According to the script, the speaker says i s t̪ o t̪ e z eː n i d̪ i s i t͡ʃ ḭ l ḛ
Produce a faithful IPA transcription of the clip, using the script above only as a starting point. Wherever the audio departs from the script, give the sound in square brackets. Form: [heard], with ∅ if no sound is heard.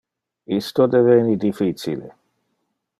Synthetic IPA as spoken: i s t̪ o [d̪] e [v] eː n i d̪ i [f] i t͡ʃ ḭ l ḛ